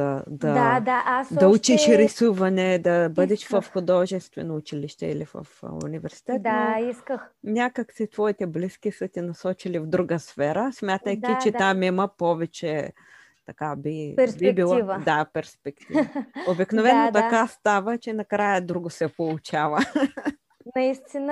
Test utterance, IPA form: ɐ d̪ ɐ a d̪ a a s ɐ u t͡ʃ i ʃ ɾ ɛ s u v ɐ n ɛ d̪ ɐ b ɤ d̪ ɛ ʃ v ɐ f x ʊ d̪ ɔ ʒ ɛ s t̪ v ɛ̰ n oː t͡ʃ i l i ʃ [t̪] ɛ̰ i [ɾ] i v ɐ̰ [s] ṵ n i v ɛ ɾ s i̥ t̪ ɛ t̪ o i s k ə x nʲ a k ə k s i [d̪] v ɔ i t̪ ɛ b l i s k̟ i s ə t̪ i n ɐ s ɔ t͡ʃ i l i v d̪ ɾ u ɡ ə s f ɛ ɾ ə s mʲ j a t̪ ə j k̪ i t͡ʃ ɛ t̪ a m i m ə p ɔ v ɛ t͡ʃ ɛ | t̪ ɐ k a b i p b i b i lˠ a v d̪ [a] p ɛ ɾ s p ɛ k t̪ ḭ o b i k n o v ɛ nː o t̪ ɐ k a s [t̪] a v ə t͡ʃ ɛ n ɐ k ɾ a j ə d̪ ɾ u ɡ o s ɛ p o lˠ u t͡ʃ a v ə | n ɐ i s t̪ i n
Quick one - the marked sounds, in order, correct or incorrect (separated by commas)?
correct, incorrect, incorrect, incorrect, correct, correct